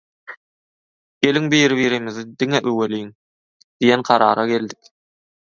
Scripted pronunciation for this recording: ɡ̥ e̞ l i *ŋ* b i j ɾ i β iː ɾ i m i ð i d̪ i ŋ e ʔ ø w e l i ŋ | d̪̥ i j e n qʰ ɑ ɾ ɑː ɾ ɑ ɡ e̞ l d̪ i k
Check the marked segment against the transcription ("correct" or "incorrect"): correct